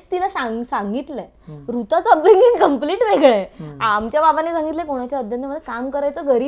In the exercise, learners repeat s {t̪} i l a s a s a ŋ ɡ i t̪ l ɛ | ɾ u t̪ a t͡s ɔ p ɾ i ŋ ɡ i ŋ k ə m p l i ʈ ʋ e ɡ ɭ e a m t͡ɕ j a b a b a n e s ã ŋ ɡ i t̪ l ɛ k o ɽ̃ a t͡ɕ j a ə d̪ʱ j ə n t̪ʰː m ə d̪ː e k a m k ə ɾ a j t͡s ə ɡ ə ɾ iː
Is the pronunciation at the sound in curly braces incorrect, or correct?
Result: correct